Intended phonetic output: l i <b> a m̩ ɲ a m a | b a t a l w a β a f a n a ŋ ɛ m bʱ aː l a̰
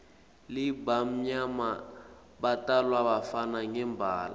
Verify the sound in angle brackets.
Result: correct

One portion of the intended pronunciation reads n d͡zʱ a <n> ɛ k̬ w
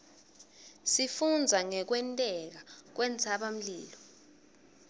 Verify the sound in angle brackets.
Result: incorrect: ŋ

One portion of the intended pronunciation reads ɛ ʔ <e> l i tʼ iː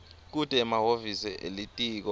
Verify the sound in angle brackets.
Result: correct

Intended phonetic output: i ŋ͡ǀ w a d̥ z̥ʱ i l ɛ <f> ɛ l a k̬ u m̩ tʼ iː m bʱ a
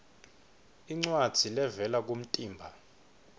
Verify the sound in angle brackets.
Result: incorrect: v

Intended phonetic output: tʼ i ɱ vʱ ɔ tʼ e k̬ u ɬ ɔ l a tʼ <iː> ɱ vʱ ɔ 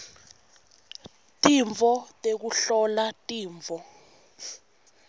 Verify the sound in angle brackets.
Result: correct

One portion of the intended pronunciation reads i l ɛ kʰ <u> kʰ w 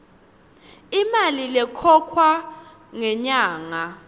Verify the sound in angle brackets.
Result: incorrect: ɔ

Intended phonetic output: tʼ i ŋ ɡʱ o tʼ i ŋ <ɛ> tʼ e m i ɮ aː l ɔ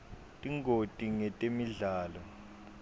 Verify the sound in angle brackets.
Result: correct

